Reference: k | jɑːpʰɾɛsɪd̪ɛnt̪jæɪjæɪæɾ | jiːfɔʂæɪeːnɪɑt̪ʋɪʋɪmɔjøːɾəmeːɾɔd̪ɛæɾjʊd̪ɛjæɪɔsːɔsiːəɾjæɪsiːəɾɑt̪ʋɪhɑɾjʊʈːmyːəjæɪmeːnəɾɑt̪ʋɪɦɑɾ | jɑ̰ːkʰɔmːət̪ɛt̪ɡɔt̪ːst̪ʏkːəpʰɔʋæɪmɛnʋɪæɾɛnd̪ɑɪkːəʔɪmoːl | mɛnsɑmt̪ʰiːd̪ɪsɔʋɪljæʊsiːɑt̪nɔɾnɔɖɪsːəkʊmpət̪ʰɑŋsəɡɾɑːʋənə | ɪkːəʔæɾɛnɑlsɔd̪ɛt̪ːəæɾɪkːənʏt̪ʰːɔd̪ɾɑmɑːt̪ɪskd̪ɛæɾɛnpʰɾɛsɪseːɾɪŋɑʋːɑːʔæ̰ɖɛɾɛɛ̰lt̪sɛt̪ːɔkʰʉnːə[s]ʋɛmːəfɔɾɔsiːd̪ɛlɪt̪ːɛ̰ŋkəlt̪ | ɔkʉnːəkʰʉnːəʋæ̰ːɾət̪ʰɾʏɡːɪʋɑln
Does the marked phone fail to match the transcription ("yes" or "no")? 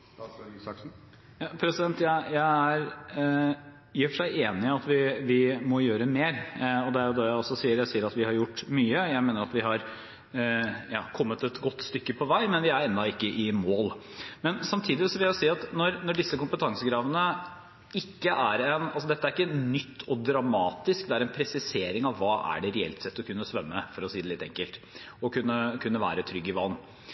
no